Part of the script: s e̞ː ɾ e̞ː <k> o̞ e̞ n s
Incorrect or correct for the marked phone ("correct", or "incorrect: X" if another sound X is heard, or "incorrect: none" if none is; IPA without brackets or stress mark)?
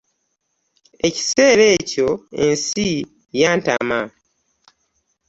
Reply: incorrect: c